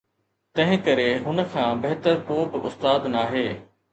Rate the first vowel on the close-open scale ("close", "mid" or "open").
open